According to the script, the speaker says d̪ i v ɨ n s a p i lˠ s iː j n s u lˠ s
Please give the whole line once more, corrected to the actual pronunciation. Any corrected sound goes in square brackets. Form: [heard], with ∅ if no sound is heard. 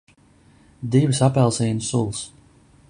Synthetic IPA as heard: d̪ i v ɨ [∅] s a p [ɛ] lˠ s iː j n s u lˠ s

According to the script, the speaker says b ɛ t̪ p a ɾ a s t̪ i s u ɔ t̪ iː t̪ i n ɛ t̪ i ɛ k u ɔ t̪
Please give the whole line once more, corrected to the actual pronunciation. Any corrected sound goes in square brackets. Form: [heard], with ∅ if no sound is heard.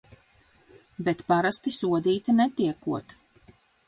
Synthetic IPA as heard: b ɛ t̪ p a ɾ a s t̪ i s u ɔ [d̪] iː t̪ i n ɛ t̪ i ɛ k u ɔ t̪

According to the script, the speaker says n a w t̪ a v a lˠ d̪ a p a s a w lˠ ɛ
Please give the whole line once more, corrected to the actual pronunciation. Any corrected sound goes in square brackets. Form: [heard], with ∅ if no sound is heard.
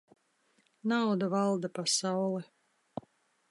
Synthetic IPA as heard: n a w [d̪] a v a lˠ d̪ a p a s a w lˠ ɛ

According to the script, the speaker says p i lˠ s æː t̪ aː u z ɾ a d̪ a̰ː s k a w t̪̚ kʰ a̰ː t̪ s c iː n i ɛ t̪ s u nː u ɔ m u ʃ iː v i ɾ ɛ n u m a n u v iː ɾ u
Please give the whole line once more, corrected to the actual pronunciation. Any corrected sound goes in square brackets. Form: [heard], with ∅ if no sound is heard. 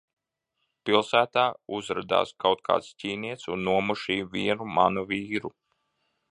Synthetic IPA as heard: p i lˠ s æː t̪ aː u z ɾ a d̪ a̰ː s k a w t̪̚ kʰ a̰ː t̪ s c iː n i ɛ t̪ s u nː u ɔ m u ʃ iː v i [∅] ɛ n u m a n u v iː ɾ u

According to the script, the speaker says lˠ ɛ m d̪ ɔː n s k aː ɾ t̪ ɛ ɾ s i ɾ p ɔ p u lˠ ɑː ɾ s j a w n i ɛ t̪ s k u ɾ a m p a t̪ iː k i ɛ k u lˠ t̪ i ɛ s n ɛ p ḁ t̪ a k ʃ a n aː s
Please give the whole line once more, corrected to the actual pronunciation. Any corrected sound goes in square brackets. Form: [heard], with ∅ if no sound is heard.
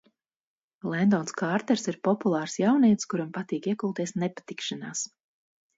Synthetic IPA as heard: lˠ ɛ [n] d̪ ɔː n s k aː ɾ t̪ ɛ ɾ s i ɾ p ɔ p u lˠ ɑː ɾ s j a w n i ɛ t̪ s k u ɾ a m p a t̪ iː k i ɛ k u lˠ t̪ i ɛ s n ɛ p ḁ t̪ [i] k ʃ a n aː s

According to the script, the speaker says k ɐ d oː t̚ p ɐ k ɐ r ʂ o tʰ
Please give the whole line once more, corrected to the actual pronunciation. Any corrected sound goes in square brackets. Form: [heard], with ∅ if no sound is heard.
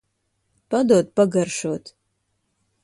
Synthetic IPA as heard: [p] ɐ d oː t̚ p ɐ [ɡ] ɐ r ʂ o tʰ

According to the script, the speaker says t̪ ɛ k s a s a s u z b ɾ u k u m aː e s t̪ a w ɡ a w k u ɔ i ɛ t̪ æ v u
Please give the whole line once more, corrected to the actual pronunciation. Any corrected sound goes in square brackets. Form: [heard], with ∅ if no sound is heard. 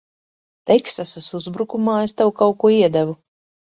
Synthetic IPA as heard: t̪ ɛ k s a s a s u z b ɾ u k u m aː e s t̪ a w [k] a w k u ɔ i ɛ [d̪] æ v u

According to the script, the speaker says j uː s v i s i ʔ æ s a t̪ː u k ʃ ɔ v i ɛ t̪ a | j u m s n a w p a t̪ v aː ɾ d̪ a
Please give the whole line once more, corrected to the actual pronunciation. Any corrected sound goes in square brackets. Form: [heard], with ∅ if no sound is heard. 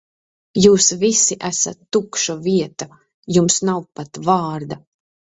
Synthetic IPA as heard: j uː s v i s i ʔ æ s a t̪ː u k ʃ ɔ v i ɛ t̪ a | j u m s n a w p a t̪ v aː ɾ d̪ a

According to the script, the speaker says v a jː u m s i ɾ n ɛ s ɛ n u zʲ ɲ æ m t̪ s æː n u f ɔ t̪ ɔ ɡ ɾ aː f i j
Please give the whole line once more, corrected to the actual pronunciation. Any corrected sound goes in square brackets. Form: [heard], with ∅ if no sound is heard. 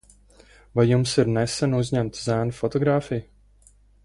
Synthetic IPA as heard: v a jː u m s i ɾ n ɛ s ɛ n u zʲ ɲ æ m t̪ [z] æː n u f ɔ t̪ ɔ ɡ ɾ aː f i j

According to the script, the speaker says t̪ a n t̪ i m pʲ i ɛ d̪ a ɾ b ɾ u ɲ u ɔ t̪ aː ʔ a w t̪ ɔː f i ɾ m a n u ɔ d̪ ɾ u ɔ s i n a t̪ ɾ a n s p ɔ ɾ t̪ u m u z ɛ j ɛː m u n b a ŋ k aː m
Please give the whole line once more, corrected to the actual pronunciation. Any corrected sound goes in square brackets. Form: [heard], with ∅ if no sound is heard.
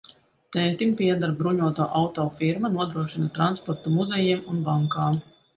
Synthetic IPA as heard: t̪ [ɛ] n t̪ i m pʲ i ɛ d̪ a ɾ b ɾ u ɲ u ɔ t̪ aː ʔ a w t̪ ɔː f i ɾ m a n u ɔ d̪ ɾ u ɔ [ʃ] i n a t̪ ɾ a n s p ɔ ɾ t̪ u m u z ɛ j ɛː m u n b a ŋ k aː m

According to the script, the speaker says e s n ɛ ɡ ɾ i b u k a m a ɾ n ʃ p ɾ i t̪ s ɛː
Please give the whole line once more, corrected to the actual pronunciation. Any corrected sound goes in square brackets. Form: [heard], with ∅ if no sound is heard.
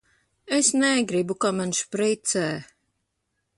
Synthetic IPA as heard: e s n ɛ ɡ ɾ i b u k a m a [∅] n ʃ p ɾ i t̪ s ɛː

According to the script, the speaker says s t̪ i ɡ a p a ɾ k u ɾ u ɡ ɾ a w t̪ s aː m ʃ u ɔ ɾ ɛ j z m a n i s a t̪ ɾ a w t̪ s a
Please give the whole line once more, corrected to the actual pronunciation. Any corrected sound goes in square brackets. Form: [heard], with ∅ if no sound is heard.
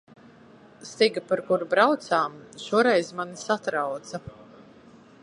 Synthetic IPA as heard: s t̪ i ɡ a p a ɾ k u ɾ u [b] ɾ a w t̪ s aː m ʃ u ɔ ɾ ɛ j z m a n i s a t̪ ɾ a w t̪ s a

